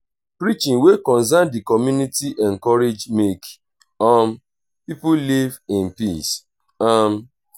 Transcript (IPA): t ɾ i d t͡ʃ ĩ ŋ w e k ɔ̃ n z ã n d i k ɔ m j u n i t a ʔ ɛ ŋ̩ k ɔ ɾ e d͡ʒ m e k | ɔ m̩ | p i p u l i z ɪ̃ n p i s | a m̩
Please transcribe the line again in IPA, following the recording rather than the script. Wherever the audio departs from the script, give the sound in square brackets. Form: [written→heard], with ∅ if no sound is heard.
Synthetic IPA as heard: [t→p] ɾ i [d→∅] t͡ʃ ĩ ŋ w e k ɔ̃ n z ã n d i k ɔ m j u n i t [a→i] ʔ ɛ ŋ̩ k ɔ ɾ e d͡ʒ m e k | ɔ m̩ | p i p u l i [z→v] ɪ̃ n p i s | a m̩